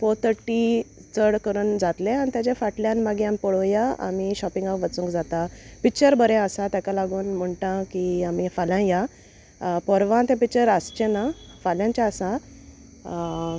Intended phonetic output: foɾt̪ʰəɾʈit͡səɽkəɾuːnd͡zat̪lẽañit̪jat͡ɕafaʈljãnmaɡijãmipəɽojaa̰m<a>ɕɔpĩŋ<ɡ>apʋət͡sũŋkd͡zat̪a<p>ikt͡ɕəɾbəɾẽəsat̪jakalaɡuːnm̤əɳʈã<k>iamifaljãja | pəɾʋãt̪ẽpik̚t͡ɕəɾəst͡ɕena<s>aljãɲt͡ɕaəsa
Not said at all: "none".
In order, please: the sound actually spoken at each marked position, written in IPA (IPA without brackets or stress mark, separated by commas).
i, ɡ, p, k, f